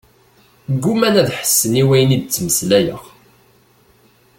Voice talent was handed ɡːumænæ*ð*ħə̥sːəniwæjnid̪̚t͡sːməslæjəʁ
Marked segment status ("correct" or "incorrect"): correct